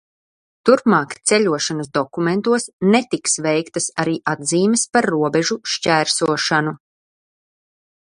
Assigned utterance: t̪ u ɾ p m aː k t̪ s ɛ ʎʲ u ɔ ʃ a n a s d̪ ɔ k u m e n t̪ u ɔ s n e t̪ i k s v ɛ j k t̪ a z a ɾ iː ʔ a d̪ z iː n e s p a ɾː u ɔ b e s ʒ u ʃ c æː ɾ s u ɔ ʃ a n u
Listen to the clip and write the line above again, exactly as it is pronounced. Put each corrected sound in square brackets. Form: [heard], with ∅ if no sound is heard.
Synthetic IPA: t̪ u ɾ p m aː k t̪ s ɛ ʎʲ u ɔ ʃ a n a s d̪ ɔ k u m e n t̪ u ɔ s n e t̪ i k s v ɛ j k t̪ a [s] a ɾ iː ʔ a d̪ z iː [m] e s p a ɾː u ɔ b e [∅] ʒ u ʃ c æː ɾ s u ɔ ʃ a n u